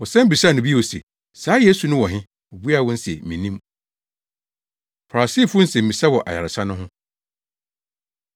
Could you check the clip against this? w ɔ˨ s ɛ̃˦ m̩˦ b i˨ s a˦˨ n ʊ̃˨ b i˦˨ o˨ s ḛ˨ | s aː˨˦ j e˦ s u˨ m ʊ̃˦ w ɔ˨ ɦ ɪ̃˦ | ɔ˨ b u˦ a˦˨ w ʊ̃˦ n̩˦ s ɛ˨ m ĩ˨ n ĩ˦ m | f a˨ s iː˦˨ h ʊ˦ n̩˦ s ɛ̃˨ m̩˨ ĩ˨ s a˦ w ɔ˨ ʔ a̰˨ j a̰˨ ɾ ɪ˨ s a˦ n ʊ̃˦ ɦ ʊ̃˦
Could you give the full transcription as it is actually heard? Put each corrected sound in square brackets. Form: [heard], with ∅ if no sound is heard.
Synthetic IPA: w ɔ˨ s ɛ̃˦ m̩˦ b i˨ s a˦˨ n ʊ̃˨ b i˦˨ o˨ s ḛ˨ | s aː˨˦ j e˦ s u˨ [n] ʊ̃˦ w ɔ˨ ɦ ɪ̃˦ | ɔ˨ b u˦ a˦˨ w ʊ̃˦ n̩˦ s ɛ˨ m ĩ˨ n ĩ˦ m | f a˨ s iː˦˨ [f] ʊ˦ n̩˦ s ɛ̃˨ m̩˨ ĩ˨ s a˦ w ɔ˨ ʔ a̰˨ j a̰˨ ɾ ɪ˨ s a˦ n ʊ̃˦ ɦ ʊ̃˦